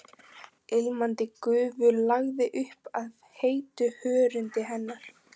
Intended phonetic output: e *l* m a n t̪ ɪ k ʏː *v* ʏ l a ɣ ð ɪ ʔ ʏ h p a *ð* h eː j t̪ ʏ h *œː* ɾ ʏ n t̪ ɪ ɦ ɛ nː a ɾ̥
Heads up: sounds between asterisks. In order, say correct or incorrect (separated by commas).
correct, correct, correct, correct